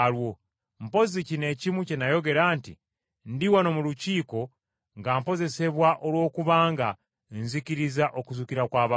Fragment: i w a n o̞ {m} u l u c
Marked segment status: correct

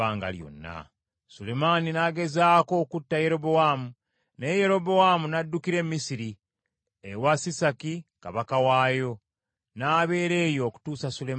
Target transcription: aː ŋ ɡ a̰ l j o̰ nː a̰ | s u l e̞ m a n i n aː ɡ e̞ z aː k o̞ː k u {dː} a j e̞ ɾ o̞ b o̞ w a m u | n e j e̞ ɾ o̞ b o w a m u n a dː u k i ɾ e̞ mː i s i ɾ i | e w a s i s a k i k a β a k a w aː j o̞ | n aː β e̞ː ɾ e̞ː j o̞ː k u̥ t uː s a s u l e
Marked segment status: incorrect: tː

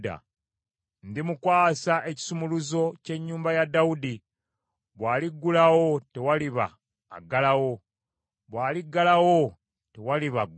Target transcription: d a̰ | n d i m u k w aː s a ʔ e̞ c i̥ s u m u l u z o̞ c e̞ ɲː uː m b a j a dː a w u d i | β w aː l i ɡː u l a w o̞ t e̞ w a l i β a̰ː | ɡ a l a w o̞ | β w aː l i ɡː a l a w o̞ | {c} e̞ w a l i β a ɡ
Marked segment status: incorrect: t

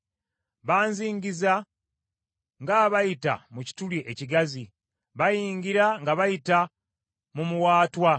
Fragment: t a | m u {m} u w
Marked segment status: correct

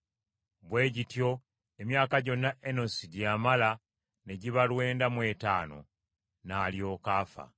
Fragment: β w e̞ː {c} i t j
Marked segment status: incorrect: ɟ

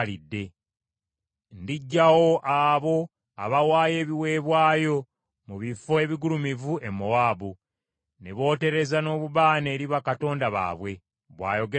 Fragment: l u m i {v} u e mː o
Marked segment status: correct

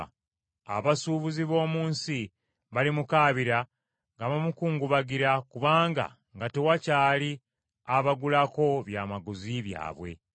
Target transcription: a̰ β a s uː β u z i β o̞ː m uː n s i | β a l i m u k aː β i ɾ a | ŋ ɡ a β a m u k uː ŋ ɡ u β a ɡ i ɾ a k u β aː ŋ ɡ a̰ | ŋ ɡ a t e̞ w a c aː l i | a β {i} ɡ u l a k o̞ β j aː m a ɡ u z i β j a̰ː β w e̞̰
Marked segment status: incorrect: a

